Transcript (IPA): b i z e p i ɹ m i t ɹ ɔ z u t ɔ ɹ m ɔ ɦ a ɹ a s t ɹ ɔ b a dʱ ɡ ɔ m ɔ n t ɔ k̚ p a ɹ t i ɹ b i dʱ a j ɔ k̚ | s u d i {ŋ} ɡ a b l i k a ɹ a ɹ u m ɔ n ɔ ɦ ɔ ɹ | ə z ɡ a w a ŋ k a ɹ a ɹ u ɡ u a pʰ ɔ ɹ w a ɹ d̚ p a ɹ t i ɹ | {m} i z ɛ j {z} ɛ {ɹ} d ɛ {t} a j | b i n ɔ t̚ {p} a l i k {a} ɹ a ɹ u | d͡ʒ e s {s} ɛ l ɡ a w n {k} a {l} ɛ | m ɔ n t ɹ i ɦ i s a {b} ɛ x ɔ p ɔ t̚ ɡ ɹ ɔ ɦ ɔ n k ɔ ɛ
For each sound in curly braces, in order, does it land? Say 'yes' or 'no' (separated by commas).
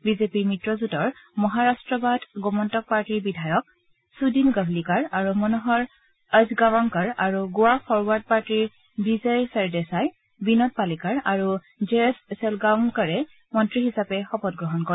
no, no, no, yes, no, yes, yes, yes, yes, no, no